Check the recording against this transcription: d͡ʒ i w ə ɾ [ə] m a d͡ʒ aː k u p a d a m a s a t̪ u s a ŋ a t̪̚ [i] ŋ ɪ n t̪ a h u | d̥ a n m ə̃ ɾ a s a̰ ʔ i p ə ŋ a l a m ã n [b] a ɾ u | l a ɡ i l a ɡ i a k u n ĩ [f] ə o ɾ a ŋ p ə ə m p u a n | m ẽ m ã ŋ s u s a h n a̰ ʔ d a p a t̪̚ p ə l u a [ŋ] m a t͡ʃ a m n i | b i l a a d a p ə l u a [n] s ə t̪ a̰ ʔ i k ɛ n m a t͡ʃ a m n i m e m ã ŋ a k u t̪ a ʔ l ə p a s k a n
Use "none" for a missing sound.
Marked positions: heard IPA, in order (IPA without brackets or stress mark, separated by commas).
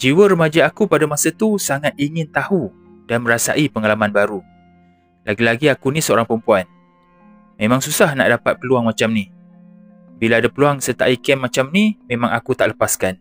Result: ə, i, b, s, ŋ, ŋ